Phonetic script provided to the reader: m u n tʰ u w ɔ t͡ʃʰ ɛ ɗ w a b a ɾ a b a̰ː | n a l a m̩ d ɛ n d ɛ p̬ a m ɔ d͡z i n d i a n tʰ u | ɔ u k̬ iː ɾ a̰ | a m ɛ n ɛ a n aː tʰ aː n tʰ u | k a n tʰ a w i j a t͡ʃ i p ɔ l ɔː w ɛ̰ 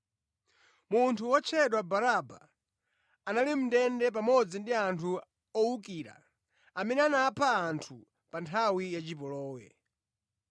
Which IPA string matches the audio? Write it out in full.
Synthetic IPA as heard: m u n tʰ u w ɔ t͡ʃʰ ɛ ɗ w a b a ɾ a b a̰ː | n a l i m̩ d ɛ n d ɛ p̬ a m ɔ d͡z i n d i a n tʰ u | ɔ u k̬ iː ɾ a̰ | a m ɛ n ɛ a n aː pʰ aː n tʰ u | p a n tʰ a w i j a t͡ʃ i p ɔ l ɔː w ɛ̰